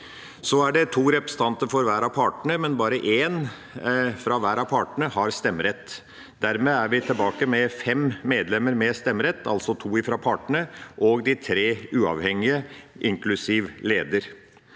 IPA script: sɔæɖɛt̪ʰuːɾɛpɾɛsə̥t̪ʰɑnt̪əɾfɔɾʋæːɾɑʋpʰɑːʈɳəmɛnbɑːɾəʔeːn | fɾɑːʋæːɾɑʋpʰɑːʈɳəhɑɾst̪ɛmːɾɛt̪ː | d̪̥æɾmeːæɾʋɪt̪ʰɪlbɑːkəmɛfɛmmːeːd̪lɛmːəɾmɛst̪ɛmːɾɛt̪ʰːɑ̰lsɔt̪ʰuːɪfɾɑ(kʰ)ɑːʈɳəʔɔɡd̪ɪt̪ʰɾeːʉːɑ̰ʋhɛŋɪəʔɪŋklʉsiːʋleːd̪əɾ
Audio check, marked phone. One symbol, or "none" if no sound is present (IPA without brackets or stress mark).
pʰ